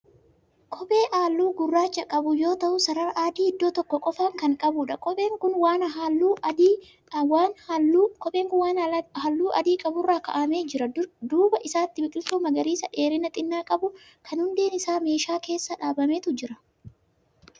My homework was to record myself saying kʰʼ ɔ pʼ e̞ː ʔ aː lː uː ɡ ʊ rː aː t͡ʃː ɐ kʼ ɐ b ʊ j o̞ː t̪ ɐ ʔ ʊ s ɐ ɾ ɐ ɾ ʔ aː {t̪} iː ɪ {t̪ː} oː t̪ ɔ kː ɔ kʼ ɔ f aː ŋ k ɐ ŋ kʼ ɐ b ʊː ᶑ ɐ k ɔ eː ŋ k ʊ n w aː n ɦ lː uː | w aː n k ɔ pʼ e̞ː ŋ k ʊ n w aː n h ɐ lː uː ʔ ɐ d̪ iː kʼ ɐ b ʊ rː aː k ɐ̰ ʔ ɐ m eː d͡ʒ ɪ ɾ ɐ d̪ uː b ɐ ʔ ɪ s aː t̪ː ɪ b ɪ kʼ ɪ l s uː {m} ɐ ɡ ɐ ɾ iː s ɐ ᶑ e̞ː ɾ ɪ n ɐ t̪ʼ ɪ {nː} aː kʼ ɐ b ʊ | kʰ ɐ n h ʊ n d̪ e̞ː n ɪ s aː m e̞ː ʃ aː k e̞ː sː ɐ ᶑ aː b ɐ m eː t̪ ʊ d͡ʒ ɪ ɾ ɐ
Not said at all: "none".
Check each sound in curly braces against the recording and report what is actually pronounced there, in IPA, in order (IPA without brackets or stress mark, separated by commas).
d̪, d̪ː, m, nː